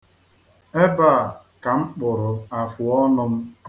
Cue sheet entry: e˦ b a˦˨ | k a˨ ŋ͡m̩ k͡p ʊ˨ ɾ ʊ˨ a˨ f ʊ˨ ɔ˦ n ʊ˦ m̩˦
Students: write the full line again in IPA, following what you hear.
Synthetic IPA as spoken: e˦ b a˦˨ | k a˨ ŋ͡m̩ k͡p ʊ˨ ɾ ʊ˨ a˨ f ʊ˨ ɔ˦ n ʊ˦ m̩˦